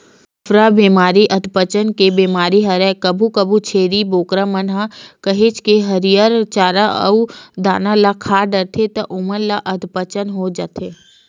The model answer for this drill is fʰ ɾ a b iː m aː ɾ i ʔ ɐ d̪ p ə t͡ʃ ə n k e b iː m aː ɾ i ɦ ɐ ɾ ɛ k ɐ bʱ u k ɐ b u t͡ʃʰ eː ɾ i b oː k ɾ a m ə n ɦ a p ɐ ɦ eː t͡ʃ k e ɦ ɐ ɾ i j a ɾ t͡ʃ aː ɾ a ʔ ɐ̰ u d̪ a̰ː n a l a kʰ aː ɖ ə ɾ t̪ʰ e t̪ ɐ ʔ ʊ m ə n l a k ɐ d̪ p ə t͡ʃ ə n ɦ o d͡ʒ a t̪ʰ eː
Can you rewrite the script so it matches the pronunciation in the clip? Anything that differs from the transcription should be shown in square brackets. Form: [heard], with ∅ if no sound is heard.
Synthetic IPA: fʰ ɾ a b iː m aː ɾ i ʔ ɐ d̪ p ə t͡ʃ ə n k e b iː m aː ɾ i ɦ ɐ ɾ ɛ k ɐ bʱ u k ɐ b u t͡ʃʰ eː ɾ i b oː k ɾ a m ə n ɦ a [k] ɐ ɦ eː t͡ʃ k e ɦ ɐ ɾ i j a ɾ t͡ʃ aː ɾ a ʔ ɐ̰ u d̪ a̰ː n a l a kʰ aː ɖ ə ɾ t̪ʰ e t̪ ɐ ʔ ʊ m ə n l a [ʔ] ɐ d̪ p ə t͡ʃ ə n ɦ o d͡ʒ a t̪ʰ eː

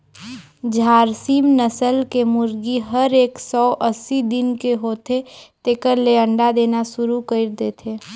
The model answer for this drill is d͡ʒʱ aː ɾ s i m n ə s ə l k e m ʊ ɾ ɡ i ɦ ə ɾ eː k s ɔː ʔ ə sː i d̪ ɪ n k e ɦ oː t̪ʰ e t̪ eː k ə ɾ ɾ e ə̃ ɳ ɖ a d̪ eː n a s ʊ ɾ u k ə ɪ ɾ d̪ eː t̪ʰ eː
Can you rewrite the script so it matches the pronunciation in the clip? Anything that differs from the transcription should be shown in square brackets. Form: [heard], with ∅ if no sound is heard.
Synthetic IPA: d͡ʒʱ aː ɾ s i m n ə s ə l k e m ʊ ɾ ɡ i ɦ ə ɾ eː k s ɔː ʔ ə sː i d̪ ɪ n k e ɦ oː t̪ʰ e t̪ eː k ə ɾ [l] e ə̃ ɳ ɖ a d̪ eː n a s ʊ ɾ u k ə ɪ ɾ d̪ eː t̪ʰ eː

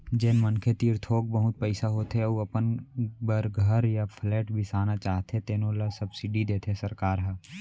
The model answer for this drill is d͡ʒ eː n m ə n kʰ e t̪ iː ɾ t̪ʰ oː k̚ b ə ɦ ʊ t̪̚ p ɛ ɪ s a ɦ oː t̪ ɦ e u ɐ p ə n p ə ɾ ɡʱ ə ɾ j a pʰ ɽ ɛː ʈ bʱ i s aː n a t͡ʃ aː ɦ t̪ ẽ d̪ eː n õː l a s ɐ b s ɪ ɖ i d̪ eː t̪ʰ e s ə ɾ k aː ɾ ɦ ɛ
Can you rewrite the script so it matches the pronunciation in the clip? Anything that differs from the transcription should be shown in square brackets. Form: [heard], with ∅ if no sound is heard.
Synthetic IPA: d͡ʒ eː n m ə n kʰ e t̪ iː ɾ t̪ʰ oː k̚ b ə ɦ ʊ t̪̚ p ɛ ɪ s a ɦ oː t̪ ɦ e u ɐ p ə n [b] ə ɾ ɡʱ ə ɾ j a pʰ [l] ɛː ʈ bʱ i s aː n a t͡ʃ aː ɦ t̪ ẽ [t̪] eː n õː l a s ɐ b s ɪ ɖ i d̪ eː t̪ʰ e s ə ɾ k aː ɾ ɦ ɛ

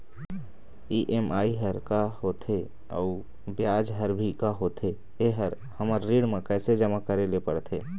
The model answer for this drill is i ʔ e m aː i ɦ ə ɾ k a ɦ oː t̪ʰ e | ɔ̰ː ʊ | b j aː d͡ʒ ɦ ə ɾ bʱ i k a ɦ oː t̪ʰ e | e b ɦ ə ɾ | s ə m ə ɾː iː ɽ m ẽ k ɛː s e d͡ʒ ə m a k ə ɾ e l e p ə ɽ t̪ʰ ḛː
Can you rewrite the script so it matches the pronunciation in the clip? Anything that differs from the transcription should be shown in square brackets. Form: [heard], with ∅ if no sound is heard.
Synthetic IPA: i ʔ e m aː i ɦ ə ɾ k a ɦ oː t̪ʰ e | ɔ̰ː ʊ | b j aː d͡ʒ ɦ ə ɾ bʱ i k a ɦ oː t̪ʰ e | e [∅] ɦ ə ɾ | [h] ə m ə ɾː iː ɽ m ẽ k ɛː s e d͡ʒ ə m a k ə ɾ e l e p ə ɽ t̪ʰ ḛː

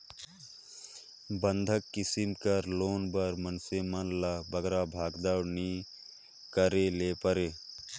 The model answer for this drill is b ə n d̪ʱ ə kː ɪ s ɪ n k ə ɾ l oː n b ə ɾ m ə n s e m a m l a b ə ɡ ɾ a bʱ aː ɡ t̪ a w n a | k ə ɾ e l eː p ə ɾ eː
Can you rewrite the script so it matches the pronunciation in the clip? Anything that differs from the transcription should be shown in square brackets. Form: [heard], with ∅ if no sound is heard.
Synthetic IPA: b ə n d̪ʱ ə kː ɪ s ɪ [m] k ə ɾ l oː n b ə ɾ m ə n s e m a [n] l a b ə ɡ ɾ a bʱ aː ɡ [d̪] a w n [i] | k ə ɾ e l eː p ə ɾ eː

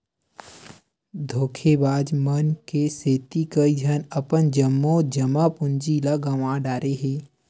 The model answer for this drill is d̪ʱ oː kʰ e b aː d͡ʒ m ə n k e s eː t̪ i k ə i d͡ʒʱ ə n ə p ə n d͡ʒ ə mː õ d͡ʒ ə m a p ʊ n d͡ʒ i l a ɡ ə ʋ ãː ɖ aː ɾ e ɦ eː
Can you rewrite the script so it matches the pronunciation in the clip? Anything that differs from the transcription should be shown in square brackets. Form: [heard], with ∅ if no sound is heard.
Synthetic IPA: d̪ʱ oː kʰ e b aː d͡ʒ m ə n k e s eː t̪ i k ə i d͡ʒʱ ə n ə p ə n d͡ʒ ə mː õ d͡ʒ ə m a p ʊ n d͡ʒ i l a ɡ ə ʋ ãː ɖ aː ɾ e ɦ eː

